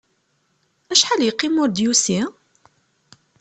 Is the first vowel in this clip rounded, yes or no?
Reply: no